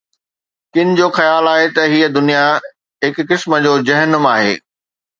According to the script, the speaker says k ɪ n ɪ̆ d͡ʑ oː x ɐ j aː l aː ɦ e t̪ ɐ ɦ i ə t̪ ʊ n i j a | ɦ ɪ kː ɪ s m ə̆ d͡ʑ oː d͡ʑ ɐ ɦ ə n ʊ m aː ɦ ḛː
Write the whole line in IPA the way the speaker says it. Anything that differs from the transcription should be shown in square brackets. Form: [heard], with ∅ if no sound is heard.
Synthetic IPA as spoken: k ɪ n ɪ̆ d͡ʑ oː x ɐ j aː l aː ɦ e t̪ ɐ ɦ i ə [d̪] ʊ n i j a | ɦ ɪ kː ɪ s m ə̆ d͡ʑ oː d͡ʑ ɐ ɦ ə n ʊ m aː ɦ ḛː